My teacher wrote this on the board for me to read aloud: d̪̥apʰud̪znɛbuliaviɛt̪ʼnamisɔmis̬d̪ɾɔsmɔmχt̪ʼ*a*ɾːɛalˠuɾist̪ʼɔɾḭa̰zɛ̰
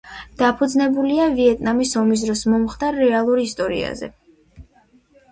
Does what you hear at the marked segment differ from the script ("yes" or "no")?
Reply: no